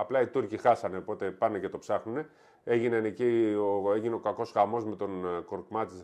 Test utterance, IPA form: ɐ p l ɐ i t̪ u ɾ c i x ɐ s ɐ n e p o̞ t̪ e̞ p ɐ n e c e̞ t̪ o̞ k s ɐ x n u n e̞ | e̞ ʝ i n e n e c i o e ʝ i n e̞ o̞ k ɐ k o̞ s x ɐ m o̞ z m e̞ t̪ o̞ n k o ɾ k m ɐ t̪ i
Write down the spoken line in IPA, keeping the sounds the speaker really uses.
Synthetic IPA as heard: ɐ p l ɐ i t̪ u ɾ c i x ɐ s ɐ n e p o̞ t̪ e̞ p ɐ n e c e̞ t̪ o̞ p s ɐ x n u n e̞ | e̞ ʝ i n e n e c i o e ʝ i n e̞ o̞ k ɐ k o̞ s x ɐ m o̞ z m e̞ t̪ o̞ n k o ɾ k m ɐ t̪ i